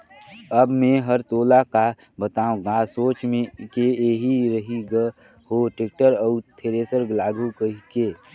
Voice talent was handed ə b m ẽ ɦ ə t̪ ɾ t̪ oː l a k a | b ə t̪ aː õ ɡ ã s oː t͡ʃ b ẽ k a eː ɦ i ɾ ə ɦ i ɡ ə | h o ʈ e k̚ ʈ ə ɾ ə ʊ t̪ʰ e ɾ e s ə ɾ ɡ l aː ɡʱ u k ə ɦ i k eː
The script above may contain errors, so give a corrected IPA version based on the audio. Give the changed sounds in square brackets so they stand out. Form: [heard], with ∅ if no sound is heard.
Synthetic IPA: ə b m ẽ ɦ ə [∅] ɾ t̪ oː l a k a | b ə t̪ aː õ ɡ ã s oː t͡ʃ [m] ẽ k [e] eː ɦ i ɾ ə ɦ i ɡ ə | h o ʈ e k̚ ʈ ə ɾ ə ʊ t̪ʰ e ɾ e s ə ɾ ɡ l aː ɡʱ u k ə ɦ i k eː